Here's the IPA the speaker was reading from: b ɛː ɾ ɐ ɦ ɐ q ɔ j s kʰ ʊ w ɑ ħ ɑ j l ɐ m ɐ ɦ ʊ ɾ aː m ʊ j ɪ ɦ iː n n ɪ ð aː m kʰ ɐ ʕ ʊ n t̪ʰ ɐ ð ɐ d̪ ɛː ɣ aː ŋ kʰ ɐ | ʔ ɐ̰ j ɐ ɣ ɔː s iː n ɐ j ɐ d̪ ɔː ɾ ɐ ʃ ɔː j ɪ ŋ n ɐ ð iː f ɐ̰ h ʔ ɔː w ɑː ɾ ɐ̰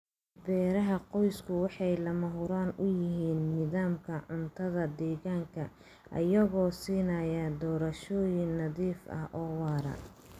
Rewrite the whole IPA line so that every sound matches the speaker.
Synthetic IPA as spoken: b ɛː ɾ ɐ ɦ ɐ q ɔ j s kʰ ʊ w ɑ ħ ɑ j l ɐ m ɐ ɦ ʊ ɾ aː n ʊ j ɪ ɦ iː n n ɪ ð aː m kʰ ɐ ʕ ʊ n t̪ʰ ɐ ð ɐ d̪ ɛː ɣ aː ŋ kʰ ɐ | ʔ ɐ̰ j ɐ ɣ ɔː s iː n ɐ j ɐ d̪ ɔː ɾ ɐ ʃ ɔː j ɪ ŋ n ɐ ð iː f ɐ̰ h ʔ ɔː w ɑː ɾ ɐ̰

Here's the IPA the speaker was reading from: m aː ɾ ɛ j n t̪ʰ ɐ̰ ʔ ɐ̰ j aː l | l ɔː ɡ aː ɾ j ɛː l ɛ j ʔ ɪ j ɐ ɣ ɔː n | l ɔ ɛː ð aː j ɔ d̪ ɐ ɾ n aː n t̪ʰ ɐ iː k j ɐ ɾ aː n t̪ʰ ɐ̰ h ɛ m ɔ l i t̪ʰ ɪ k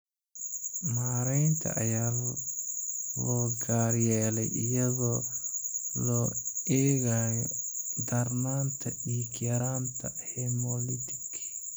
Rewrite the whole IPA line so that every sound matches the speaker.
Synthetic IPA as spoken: m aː ɾ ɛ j n t̪ʰ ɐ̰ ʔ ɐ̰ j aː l | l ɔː ɡ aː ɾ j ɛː l ɛ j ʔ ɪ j ɐ ɣ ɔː | l ɔ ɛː ɣ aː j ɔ d̪ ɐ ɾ n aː n t̪ʰ ɐ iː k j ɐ ɾ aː n t̪ʰ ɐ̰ h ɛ m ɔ l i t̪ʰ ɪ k

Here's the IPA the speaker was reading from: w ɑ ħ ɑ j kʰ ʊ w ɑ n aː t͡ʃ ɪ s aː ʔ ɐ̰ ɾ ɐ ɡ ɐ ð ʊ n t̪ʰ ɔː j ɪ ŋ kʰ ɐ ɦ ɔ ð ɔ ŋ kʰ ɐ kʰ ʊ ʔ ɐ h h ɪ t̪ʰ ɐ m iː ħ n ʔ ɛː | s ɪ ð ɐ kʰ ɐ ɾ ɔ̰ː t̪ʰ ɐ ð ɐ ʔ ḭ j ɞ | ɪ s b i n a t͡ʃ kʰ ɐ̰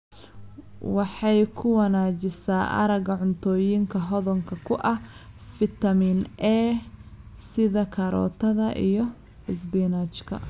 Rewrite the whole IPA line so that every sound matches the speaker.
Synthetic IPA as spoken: w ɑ ħ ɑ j kʰ ʊ w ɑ n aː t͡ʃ ɪ s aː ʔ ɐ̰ ɾ ɐ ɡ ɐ ʕ ʊ n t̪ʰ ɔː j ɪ ŋ kʰ ɐ ɦ ɔ ð ɔ ŋ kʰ ɐ kʰ ʊ ʔ ɐ h f ɪ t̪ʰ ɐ m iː n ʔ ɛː | s ɪ ð ɐ kʰ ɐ ɾ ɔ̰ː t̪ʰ ɐ ð ɐ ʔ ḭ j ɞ | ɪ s b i n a t͡ʃ kʰ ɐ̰

